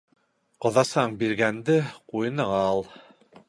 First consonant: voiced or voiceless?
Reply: voiceless